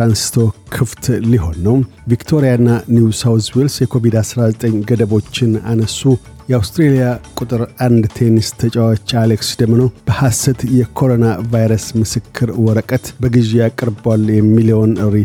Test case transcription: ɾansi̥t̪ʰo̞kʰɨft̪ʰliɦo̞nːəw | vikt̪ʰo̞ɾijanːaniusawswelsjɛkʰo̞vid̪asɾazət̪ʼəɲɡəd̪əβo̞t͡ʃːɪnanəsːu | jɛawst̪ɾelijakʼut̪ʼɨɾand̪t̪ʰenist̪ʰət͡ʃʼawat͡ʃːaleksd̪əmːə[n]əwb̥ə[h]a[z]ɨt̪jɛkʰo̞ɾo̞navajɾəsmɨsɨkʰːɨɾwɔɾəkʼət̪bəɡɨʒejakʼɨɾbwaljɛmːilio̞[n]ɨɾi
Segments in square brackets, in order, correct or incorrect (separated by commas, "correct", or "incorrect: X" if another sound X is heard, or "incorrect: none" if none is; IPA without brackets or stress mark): correct, correct, incorrect: s, correct